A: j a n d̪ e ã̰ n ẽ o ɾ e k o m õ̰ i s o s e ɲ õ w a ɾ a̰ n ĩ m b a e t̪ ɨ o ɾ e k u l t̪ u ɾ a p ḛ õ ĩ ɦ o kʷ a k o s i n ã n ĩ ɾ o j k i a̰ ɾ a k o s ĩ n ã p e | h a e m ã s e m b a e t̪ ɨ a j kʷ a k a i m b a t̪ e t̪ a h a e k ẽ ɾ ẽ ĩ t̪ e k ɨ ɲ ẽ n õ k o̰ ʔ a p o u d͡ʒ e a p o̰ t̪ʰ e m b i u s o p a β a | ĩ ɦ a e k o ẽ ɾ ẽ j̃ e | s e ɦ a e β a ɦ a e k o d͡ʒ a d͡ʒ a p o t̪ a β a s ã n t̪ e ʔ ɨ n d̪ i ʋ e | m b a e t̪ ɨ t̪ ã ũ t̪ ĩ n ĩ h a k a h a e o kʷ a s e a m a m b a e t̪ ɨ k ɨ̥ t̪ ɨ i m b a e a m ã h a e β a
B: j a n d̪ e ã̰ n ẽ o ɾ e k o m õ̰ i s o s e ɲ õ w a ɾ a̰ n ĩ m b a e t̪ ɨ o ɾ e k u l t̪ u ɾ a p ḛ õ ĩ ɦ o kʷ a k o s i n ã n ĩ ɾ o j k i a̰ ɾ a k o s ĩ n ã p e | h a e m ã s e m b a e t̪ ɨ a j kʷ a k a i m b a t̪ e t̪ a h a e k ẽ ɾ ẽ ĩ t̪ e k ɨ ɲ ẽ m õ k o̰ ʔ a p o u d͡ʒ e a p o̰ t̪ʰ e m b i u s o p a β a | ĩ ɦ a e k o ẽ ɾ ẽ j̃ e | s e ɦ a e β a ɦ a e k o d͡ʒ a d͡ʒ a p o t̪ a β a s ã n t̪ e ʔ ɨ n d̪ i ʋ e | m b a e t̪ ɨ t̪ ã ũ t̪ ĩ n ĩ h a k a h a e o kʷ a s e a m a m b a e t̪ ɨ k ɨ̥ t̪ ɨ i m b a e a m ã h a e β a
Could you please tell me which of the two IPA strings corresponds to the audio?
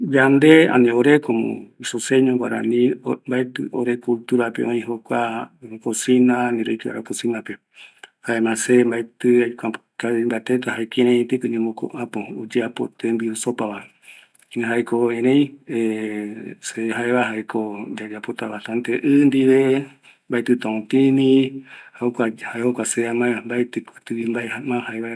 B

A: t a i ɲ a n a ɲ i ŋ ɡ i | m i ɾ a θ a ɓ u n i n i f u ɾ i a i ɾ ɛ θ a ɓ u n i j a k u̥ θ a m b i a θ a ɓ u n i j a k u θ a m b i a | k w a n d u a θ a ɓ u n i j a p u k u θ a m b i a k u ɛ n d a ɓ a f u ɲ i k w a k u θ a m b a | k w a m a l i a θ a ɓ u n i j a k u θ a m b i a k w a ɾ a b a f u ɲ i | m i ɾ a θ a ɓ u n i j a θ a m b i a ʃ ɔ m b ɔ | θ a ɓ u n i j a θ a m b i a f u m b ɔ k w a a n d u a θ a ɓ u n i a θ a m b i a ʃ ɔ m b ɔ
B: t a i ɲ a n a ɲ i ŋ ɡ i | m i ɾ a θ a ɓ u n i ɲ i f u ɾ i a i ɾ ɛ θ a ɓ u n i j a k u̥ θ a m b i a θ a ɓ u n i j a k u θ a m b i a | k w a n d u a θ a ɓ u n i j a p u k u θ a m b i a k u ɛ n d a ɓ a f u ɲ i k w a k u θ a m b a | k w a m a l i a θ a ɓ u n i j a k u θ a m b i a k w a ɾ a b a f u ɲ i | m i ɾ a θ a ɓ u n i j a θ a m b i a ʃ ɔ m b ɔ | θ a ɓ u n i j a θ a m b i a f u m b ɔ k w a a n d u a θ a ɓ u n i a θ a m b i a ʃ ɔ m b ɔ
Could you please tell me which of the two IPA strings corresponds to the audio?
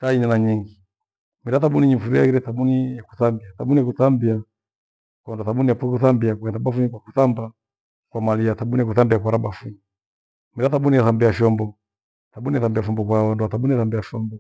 B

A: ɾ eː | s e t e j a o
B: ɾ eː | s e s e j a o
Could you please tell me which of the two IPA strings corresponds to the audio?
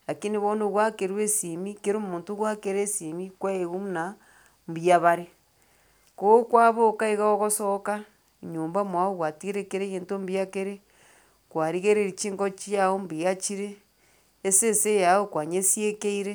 B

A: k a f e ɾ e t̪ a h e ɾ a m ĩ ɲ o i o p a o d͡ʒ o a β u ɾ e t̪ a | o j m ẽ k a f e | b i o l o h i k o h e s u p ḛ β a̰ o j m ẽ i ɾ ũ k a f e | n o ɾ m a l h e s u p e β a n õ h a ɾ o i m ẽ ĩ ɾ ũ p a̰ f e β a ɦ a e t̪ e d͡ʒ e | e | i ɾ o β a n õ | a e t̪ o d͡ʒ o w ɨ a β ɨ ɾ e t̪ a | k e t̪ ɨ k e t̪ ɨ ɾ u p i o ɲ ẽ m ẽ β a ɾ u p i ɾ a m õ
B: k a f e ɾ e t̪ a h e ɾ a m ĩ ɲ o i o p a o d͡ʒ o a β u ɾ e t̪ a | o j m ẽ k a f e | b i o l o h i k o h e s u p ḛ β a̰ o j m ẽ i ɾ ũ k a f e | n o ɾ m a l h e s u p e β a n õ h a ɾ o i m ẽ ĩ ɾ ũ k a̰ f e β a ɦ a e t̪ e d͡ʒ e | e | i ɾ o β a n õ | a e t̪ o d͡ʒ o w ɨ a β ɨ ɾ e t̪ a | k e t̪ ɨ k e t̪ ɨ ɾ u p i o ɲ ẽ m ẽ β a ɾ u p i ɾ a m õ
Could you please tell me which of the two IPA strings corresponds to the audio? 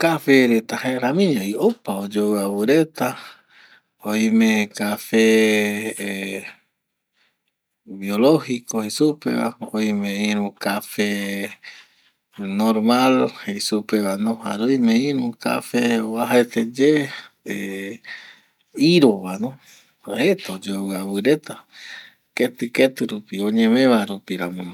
B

